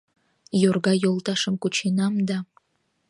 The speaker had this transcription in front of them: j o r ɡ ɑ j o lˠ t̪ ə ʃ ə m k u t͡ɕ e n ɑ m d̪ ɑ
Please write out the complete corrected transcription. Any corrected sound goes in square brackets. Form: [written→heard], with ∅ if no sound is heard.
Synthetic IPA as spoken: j o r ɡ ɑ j o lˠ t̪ [ə→ɑ] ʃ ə m k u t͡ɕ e n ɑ m d̪ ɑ